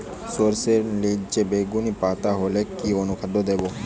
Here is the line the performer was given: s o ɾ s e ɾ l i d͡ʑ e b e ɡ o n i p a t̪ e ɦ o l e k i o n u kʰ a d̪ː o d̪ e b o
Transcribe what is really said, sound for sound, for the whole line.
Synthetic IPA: s o ɾ s e ɾ l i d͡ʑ e b e ɡ u n i p a t̪ a ɦ o l e k i o n u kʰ a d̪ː o d̪ e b o